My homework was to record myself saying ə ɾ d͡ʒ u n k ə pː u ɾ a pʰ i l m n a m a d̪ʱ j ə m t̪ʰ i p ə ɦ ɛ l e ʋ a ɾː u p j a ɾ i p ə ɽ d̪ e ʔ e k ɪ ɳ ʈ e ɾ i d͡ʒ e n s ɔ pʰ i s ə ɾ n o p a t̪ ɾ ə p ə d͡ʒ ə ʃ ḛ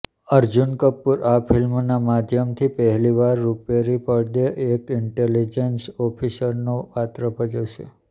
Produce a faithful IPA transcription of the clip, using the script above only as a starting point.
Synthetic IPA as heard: ə ɾ d͡ʒ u n k ə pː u ɾ a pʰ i l m n a m a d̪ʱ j ə m t̪ʰ i p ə ɦ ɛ l i ʋ a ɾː u p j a ɾ i p ə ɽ d̪ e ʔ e k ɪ ɳ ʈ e l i d͡ʒ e n s ɔ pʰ i s ə ɾ n o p a t̪ ɾ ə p ə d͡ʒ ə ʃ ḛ